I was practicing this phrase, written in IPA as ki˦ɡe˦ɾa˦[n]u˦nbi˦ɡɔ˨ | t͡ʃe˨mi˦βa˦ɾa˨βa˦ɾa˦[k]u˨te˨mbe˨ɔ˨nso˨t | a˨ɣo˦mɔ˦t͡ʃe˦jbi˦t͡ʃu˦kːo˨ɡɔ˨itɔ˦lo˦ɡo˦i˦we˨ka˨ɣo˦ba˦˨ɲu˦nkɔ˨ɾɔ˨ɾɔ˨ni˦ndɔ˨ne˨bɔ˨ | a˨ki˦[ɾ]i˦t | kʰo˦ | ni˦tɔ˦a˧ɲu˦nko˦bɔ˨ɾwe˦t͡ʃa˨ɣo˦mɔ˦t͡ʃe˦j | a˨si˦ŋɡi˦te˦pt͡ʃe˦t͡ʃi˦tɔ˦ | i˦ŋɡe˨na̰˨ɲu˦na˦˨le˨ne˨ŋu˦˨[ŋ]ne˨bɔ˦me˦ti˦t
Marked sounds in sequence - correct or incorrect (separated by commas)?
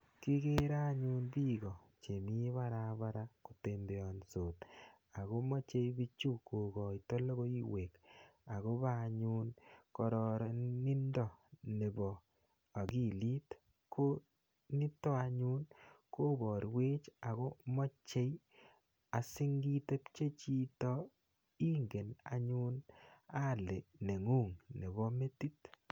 incorrect, correct, incorrect, correct